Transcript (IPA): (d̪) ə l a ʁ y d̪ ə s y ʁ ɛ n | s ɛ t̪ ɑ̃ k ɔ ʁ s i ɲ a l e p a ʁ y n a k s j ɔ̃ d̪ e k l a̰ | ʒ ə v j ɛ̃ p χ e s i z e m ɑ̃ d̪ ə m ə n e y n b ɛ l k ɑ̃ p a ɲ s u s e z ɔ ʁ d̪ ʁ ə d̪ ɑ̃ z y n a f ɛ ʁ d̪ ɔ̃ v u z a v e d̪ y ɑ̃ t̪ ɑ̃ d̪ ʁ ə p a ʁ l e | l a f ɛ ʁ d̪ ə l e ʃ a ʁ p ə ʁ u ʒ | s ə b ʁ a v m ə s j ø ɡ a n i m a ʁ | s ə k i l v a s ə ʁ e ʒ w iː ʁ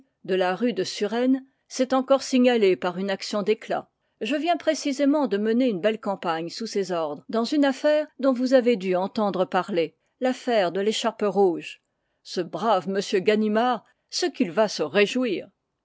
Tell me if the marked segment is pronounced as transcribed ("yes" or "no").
yes